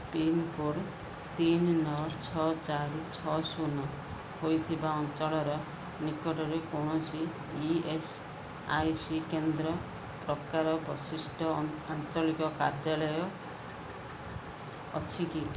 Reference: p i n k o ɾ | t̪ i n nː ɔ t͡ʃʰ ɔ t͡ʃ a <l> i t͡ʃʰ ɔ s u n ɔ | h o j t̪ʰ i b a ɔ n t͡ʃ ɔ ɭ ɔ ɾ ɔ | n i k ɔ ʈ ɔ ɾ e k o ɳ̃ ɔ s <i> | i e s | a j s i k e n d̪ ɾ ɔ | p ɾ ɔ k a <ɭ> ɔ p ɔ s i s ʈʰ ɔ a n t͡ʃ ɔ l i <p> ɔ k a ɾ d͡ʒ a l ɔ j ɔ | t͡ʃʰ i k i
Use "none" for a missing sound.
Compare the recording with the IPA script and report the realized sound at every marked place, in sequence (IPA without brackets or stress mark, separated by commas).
ɾ, i, ɾ, k